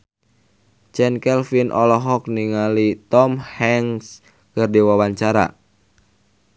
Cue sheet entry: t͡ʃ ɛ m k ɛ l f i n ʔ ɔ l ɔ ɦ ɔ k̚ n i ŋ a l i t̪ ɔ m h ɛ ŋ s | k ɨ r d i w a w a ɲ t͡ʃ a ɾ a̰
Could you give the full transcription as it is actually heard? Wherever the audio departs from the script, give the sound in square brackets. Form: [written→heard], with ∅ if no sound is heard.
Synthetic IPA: t͡ʃ ɛ [m→n] k ɛ l f i n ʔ ɔ l ɔ ɦ ɔ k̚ n i ŋ a l i t̪ ɔ m h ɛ ŋ s | k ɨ r d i w a w a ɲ t͡ʃ a ɾ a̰